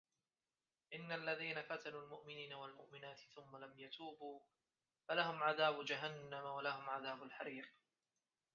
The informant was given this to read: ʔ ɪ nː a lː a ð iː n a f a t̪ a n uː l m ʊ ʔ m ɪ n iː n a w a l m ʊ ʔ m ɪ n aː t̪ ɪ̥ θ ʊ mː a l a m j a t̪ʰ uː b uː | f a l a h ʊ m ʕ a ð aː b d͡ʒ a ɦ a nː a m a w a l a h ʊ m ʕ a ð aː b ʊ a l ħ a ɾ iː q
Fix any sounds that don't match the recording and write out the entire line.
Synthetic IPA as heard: ʔ ɪ nː a lː a ð iː n a f a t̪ a n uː l m ʊ ʔ m ɪ n iː n a w a l m ʊ ʔ m ɪ n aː t̪ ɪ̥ θ ʊ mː a l a m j a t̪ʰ uː b uː | f a l a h ʊ m ʕ a ð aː b d͡ʒ a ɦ a nː a m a w a l a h ʊ m ʕ a ð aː b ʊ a l ħ a ɾ iː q

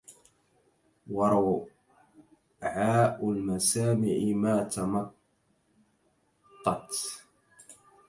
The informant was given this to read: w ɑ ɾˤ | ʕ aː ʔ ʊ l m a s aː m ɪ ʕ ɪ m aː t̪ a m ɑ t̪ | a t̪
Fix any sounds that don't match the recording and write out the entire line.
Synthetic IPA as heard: w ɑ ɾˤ | ʕ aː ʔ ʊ l m a s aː m ɪ ʕ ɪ m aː t̪ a m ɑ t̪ | ɑ t̪

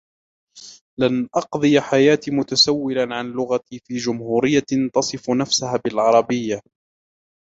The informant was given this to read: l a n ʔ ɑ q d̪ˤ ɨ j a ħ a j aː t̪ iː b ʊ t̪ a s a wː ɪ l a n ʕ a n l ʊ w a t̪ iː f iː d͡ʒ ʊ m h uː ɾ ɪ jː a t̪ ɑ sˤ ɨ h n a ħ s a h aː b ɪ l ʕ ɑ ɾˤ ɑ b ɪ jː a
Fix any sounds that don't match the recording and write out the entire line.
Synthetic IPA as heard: l a n ʔ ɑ q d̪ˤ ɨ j a ħ a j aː t̪ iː m ʊ t̪ a s a wː ɪ l a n ʕ a n l ʊ ɣ a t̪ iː f iː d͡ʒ ʊ m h uː ɾ ɪ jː a t̪ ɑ sˤ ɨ f n a f s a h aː b ɪ l ʕ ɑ ɾˤ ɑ b ɪ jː a

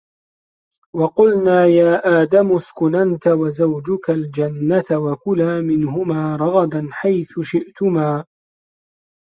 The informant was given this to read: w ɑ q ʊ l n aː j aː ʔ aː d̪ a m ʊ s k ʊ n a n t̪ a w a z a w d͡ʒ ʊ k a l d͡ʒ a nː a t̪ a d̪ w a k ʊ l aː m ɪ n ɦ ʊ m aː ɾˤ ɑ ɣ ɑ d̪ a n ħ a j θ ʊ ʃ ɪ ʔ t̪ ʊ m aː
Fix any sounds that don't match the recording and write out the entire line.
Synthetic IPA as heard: w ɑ q ʊ l n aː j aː ʔ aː d̪ a m ʊ s k ʊ n a n t̪ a w a z a w d͡ʒ ʊ k a l d͡ʒ a nː a t̪ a w a k ʊ l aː m ɪ n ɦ ʊ m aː ɾˤ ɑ ɣ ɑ d̪ a n ħ a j θ ʊ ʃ ɪ ʔ t̪ ʊ m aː

